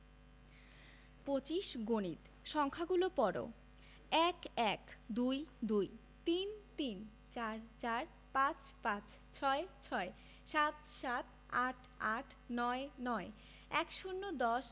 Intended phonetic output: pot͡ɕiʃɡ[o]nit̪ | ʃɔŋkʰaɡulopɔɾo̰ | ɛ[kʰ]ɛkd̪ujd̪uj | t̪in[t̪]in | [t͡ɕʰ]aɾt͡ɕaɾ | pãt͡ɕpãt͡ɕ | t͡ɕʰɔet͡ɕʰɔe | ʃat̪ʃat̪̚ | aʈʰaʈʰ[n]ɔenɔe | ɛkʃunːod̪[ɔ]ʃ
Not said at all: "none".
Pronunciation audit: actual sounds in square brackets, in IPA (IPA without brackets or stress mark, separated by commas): o, k, t̪, t͡ɕ, n, ɔ